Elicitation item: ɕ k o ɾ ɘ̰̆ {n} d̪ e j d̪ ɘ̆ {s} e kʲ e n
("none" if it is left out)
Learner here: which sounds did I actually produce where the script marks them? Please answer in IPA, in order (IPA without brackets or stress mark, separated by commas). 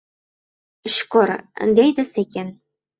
n, s